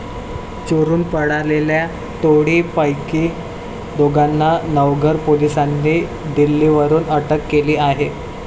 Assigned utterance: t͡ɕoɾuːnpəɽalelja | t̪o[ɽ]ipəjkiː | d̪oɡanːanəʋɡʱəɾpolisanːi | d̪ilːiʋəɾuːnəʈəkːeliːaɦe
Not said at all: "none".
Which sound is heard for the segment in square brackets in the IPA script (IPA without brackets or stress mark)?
ɽ